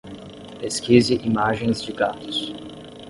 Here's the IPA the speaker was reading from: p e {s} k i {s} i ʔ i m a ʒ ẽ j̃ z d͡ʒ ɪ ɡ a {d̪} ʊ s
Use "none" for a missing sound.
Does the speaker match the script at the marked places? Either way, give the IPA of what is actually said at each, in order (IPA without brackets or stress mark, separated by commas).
s, z, t̪